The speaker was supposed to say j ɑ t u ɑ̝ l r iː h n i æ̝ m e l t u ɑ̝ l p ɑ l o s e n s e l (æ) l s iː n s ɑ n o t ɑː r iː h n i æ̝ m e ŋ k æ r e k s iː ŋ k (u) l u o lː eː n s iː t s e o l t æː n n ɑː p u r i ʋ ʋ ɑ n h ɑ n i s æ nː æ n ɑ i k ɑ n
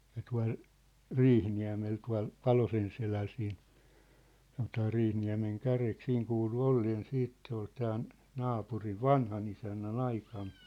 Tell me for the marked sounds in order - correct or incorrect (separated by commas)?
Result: correct, incorrect